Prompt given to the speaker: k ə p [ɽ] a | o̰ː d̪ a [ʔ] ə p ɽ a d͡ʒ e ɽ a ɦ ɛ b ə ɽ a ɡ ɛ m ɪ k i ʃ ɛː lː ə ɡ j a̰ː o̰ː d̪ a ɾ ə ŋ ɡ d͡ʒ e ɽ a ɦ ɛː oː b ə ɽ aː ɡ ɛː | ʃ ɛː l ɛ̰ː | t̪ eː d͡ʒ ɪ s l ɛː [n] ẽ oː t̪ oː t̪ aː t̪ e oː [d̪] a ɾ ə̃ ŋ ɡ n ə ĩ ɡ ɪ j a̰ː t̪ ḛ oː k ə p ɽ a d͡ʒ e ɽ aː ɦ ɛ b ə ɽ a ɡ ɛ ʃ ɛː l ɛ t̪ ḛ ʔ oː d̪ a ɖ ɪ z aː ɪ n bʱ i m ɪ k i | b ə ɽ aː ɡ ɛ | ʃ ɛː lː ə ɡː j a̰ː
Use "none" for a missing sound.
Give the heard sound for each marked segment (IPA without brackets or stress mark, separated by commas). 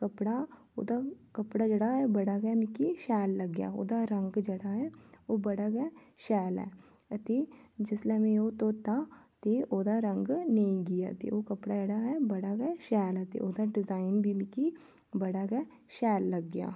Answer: ɽ, k, m, d̪